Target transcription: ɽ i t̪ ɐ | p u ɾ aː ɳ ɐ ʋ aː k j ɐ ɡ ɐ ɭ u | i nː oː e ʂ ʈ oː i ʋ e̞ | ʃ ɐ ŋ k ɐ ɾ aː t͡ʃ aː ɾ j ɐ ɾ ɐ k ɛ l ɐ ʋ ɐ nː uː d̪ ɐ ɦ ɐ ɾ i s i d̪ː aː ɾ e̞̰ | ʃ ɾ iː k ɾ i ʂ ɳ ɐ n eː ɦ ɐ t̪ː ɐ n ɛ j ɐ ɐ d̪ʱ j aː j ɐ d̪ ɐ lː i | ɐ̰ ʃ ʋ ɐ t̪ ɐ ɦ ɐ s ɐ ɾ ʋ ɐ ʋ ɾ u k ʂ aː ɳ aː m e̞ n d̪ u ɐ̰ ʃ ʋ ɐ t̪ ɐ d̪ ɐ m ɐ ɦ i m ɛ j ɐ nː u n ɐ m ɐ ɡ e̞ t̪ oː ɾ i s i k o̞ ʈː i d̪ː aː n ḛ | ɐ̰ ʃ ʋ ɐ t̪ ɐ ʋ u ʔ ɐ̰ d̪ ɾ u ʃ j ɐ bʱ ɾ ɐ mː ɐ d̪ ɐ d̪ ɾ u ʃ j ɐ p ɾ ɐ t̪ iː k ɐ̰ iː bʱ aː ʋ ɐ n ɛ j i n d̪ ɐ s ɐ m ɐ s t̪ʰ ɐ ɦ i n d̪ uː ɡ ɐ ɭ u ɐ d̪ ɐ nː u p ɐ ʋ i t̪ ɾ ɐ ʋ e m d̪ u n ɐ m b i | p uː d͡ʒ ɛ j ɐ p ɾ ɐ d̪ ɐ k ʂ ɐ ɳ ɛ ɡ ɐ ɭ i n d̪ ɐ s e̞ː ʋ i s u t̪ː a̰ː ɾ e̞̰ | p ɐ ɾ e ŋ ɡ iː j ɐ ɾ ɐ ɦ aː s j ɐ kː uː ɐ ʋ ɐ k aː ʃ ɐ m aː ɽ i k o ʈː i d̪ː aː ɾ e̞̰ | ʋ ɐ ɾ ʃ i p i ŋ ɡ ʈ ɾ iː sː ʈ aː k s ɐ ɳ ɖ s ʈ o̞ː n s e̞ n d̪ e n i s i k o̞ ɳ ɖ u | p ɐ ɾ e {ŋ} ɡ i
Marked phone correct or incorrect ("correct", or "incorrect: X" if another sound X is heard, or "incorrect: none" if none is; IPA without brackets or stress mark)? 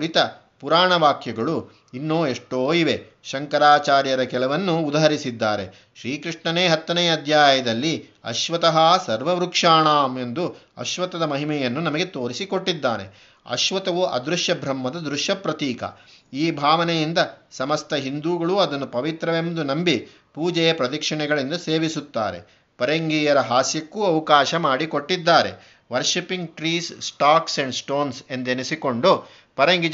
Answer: correct